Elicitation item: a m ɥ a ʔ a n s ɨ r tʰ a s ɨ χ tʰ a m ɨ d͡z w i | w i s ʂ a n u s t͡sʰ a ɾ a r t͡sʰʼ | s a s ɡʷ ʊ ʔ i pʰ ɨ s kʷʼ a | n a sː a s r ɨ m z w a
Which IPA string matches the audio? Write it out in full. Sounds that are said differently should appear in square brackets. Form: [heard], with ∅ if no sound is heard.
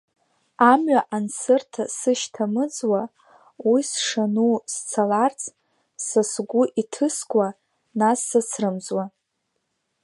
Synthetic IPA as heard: a m ɥ a ʔ a n s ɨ r tʰ a s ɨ [ʃ] tʰ a m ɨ d͡z w [a] | w i s ʂ a n u s t͡sʰ a [l] a r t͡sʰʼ | s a s ɡʷ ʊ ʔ i [tʰ] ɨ s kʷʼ a | n a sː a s r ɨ m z w a